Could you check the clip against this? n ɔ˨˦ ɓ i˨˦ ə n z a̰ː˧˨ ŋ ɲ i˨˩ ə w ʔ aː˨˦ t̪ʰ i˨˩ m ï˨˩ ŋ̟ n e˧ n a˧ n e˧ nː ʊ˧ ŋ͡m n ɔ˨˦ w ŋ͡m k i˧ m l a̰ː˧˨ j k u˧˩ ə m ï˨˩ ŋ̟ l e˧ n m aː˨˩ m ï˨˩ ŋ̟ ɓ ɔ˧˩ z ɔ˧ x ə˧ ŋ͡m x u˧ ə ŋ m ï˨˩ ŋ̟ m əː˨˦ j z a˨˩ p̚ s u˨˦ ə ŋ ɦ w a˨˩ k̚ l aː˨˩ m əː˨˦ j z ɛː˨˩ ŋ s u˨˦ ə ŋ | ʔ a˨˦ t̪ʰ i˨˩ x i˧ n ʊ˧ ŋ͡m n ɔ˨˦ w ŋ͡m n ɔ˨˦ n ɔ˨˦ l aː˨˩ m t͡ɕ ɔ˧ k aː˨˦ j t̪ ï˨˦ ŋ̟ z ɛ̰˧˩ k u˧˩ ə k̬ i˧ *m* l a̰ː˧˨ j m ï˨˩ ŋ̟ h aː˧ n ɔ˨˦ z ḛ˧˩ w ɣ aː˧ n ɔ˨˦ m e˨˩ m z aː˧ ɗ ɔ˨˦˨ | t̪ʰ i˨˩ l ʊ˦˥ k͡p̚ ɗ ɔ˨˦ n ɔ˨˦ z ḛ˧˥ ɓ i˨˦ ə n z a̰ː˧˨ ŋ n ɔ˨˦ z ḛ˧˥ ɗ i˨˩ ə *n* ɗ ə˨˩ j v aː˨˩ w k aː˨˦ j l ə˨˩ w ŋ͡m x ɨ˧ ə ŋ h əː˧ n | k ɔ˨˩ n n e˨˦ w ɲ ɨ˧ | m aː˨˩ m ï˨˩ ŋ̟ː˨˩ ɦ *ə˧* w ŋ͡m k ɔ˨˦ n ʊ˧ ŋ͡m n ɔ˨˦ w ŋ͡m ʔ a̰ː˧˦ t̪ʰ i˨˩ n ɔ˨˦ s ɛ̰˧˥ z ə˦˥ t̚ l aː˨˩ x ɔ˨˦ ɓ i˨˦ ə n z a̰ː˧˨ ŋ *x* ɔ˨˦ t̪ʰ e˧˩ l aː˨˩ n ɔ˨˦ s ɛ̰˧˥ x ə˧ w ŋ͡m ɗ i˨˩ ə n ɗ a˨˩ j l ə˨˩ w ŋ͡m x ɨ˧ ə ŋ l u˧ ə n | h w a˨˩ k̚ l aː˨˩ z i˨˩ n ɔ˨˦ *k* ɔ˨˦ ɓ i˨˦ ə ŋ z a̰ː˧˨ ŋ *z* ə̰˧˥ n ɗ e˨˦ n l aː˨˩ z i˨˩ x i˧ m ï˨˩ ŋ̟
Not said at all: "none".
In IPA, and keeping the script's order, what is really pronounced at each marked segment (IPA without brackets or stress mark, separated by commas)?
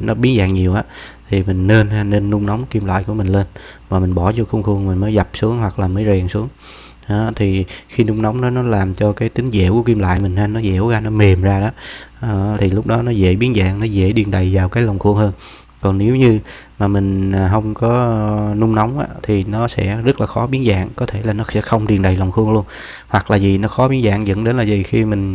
m, n, ə˧, k, x, z